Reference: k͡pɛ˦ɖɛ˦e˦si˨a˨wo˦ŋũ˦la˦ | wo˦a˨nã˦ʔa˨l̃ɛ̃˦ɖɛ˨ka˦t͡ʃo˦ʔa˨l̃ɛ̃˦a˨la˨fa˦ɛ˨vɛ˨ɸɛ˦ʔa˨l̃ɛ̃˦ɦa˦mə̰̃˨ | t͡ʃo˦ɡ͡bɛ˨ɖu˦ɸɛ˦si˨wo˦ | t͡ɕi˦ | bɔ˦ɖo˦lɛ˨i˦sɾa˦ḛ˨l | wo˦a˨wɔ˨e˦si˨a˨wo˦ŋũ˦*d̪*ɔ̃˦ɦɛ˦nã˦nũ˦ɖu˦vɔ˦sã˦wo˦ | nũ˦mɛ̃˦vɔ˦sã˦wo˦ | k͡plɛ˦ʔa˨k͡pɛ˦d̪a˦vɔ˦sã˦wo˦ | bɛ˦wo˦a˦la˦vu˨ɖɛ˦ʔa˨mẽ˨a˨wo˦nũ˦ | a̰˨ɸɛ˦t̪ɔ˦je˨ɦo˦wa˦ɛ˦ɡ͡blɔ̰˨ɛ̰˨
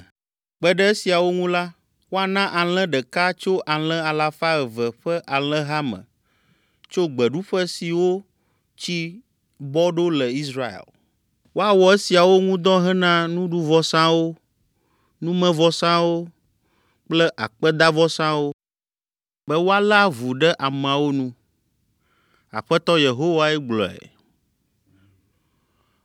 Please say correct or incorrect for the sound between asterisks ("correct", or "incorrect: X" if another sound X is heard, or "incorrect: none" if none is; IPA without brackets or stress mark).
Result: correct